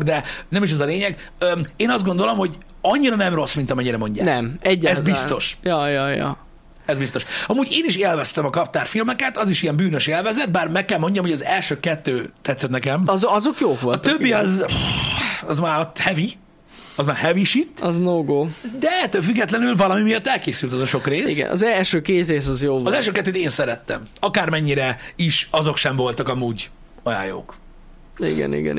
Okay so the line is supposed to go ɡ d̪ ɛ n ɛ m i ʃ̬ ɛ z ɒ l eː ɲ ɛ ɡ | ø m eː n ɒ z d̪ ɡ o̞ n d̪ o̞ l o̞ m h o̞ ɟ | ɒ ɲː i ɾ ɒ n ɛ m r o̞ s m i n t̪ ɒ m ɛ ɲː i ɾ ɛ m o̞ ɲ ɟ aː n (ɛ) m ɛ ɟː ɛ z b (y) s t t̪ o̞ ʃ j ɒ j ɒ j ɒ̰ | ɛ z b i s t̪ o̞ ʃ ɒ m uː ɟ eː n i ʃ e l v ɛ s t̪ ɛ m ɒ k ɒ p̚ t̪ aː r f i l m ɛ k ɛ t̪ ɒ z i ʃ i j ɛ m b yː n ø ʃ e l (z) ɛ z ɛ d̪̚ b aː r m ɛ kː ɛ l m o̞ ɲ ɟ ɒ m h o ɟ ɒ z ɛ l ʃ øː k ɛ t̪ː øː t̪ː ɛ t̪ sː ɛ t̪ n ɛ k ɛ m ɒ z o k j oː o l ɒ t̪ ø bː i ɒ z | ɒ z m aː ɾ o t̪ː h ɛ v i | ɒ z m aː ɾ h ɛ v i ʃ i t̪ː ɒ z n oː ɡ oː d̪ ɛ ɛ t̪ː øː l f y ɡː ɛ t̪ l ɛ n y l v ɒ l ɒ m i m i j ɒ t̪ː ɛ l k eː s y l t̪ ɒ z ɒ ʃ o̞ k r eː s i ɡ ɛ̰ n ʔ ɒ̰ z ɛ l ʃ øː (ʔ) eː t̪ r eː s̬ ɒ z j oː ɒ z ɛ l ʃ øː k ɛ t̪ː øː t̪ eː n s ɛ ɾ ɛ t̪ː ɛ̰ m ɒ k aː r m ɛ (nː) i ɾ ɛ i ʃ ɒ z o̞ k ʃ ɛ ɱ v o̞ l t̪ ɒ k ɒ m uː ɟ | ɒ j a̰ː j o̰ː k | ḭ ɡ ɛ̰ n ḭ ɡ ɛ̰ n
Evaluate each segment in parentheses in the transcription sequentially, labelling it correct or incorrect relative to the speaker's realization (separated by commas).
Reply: correct, incorrect, incorrect, incorrect, incorrect